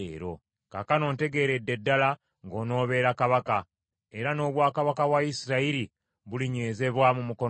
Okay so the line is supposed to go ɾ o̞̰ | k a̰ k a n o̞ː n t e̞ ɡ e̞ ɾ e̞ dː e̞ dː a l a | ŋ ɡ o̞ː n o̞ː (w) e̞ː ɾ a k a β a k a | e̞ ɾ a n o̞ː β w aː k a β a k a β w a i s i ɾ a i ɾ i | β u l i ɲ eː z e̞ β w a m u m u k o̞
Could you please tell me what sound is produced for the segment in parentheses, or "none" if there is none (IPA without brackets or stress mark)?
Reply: β